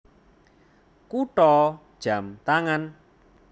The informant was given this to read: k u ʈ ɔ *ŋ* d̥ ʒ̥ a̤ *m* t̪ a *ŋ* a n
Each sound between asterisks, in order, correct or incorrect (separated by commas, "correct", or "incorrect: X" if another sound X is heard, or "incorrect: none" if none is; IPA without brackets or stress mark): incorrect: none, correct, correct